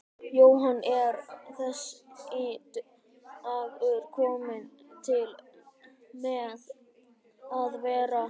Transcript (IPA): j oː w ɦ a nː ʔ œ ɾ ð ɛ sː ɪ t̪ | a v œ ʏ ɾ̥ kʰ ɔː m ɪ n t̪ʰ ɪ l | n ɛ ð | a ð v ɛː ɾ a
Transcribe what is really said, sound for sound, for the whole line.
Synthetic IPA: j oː w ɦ a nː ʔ ɛ ɾ θ ɛ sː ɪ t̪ | a v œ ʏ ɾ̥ kʰ ɔː m ɪ n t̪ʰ ɪ l | m ɛ ð | a ð v ɛː ɾ a